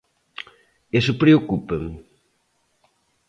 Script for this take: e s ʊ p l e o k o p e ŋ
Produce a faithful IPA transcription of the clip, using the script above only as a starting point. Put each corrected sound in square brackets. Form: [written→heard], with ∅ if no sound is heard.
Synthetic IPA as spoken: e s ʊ p [l→ɾ] e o k [o→u] p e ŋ

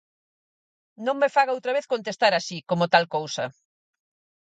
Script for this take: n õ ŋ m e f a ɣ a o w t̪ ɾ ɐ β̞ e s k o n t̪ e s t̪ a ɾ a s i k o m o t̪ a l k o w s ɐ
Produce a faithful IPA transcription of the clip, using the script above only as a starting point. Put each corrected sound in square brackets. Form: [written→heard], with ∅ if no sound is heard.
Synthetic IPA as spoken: n õ ŋ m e f a ɣ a o w t̪ ɾ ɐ β̞ e [s→θ] k o n t̪ e s t̪ a ɾ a s i k o m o t̪ a l k o w s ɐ

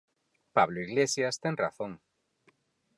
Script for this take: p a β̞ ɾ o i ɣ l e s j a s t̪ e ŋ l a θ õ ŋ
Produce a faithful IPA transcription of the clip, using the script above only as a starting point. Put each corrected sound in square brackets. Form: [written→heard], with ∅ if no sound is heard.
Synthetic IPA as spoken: p a β̞ [ɾ→l] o i ɣ l e s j a s t̪ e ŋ [l→r] a θ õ ŋ

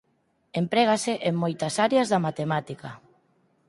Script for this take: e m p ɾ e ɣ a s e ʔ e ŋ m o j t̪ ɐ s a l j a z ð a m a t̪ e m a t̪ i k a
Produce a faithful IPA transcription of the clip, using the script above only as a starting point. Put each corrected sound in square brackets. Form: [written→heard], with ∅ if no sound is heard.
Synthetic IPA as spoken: e m p ɾ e ɣ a s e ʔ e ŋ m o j t̪ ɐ s a [l→ɾ] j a z ð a m a t̪ e m a t̪ i k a

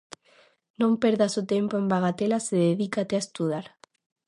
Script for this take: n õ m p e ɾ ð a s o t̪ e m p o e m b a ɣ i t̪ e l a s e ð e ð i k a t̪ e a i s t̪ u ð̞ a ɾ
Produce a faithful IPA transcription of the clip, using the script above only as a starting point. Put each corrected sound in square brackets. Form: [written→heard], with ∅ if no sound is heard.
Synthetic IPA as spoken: n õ m p e ɾ ð a s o t̪ e m p o e m b a ɣ [i→a] t̪ e l a s e ð e ð i k a t̪ e a [i→e] s t̪ u ð̞ a ɾ

